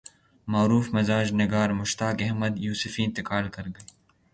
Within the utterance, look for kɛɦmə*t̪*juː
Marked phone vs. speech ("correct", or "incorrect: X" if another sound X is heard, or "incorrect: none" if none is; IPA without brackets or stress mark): incorrect: d̪